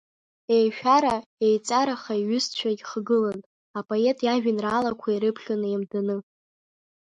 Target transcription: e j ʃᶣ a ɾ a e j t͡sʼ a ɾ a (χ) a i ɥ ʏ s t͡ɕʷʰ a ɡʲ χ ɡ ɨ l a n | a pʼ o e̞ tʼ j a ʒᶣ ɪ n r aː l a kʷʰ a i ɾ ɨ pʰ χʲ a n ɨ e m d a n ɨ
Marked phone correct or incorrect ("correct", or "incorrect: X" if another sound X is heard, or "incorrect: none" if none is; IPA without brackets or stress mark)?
correct